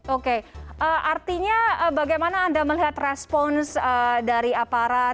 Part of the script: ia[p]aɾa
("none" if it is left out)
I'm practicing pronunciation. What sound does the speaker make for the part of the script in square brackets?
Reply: p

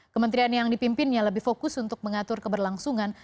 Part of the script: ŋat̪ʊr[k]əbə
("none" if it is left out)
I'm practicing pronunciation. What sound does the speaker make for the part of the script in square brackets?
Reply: k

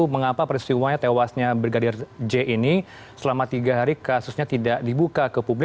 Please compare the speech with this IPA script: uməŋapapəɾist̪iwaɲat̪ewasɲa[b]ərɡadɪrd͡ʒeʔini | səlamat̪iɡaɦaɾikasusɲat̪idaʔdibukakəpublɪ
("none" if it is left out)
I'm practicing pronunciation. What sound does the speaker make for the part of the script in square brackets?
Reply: b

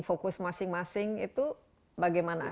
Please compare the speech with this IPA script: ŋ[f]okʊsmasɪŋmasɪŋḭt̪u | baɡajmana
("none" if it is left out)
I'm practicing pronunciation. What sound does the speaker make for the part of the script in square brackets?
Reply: f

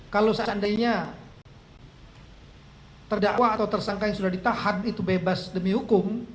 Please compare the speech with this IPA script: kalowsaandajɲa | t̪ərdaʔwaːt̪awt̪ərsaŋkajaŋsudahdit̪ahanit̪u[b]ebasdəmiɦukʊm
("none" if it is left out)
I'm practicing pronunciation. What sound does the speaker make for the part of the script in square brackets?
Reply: b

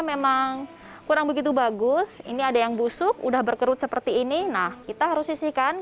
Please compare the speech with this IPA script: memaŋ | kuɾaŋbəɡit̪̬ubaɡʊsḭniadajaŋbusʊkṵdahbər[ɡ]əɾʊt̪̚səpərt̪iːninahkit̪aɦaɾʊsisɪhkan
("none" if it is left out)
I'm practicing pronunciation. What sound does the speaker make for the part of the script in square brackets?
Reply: k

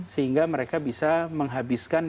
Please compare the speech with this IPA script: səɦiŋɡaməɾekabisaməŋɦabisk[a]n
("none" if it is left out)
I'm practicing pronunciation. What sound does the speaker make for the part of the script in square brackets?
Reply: a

